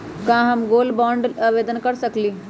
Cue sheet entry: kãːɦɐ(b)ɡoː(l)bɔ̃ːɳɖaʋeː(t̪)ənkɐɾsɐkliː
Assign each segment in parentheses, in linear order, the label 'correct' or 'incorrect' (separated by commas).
incorrect, correct, incorrect